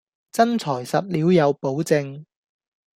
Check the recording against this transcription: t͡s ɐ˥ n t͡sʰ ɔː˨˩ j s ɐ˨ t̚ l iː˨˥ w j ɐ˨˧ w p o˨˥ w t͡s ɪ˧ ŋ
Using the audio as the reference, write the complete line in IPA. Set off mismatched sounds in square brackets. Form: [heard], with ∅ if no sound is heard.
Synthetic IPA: t͡s ɐ˥ n t͡sʰ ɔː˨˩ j s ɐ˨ [p̚] l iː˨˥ w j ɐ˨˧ w p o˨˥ w t͡s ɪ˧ ŋ